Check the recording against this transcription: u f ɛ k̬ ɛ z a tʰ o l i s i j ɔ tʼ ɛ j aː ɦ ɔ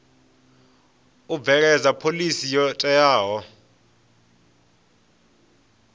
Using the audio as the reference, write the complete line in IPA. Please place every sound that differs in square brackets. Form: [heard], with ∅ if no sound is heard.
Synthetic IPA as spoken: u [v] ɛ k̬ ɛ z a [pʰ] o l i s i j ɔ tʼ ɛ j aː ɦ ɔ